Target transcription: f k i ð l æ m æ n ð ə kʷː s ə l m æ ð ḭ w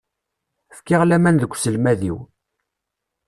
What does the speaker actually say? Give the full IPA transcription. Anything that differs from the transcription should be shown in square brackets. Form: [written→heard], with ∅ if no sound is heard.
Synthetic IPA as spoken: f k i [ð→ʁ] l æ m æ n ð ə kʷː s ə l m æ ð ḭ w